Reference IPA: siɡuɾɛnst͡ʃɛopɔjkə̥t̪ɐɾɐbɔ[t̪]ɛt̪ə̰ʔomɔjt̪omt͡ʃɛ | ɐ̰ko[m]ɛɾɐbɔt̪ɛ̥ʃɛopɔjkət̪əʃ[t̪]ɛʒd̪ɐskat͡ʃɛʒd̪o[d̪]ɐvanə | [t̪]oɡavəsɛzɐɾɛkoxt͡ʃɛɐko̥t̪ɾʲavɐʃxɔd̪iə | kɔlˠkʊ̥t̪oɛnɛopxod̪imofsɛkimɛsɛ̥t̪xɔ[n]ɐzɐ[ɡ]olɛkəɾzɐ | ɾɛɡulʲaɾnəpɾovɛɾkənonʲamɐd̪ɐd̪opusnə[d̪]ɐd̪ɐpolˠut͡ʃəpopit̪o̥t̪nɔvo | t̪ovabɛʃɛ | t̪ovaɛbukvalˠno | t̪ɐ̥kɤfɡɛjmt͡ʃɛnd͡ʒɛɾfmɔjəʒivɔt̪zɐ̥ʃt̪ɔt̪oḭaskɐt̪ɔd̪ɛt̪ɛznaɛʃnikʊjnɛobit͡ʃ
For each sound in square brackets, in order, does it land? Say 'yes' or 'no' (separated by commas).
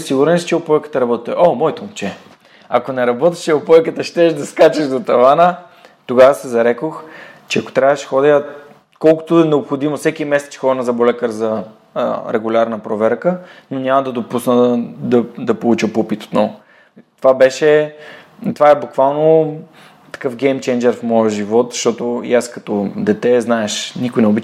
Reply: yes, no, yes, no, yes, yes, no, yes